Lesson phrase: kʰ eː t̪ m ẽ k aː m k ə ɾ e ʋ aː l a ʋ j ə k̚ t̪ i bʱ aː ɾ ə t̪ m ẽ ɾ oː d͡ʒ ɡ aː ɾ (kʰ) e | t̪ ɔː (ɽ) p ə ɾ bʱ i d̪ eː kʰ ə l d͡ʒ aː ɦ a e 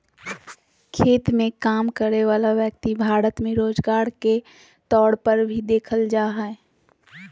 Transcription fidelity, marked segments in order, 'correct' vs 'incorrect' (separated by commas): incorrect, correct